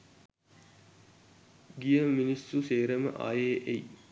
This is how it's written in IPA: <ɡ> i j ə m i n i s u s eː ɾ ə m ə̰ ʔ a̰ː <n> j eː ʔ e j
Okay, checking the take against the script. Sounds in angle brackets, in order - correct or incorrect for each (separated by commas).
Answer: correct, incorrect